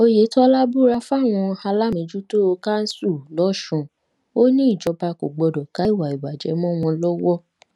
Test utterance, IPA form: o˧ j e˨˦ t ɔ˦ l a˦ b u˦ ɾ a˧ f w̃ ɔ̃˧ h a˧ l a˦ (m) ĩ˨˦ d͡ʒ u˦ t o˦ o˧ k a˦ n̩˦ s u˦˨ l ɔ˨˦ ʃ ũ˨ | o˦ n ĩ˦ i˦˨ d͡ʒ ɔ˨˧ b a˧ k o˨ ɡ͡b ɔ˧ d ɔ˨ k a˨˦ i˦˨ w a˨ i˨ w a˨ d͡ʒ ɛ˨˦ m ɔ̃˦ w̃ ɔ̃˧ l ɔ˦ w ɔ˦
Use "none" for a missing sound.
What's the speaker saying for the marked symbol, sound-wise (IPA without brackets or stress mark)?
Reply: m